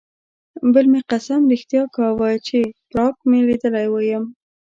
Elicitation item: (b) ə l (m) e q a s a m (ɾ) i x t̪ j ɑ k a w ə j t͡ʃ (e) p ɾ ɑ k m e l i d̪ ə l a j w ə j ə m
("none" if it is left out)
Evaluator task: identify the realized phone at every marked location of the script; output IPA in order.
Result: b, m, ɾ, e

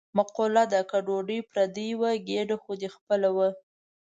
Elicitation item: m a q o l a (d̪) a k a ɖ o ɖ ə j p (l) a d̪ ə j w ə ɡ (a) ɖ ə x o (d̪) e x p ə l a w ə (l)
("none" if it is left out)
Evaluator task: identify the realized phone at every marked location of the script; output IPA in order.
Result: d̪, ɾ, e, d̪, none

